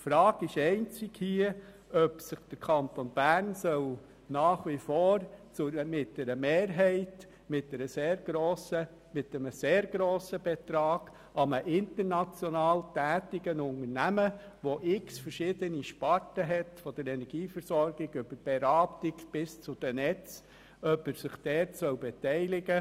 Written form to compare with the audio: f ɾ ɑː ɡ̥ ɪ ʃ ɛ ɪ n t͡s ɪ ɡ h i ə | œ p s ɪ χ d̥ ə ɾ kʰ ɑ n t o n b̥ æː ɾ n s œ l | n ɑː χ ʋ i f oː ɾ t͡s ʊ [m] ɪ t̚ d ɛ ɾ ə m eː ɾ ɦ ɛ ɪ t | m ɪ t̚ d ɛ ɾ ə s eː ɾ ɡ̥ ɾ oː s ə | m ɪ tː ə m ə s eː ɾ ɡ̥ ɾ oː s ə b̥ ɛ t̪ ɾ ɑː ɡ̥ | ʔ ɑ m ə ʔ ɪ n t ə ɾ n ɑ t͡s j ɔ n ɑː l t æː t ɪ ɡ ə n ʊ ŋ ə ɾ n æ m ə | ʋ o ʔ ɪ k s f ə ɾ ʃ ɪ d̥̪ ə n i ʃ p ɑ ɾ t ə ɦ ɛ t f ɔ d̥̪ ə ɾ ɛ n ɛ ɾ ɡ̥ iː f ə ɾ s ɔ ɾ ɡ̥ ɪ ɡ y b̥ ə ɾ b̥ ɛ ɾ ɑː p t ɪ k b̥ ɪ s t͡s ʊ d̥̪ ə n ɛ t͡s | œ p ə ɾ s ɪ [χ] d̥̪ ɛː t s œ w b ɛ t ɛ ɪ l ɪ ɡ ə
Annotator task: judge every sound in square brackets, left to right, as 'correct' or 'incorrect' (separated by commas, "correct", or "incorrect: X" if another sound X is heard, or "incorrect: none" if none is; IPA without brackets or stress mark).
correct, correct